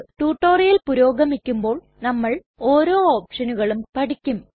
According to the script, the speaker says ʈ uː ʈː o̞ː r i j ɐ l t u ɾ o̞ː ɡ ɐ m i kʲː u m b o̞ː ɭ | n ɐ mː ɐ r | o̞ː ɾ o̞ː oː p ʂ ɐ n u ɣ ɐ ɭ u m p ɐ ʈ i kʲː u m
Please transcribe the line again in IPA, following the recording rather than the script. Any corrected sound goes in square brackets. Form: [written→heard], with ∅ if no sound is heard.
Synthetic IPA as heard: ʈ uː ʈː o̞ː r i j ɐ l [t→p] u ɾ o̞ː ɡ ɐ m i kʲː u m b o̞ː ɭ | n ɐ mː ɐ [r→ɭ] | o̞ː ɾ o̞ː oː p ʂ ɐ n u ɣ ɐ ɭ u m p ɐ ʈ i kʲː u m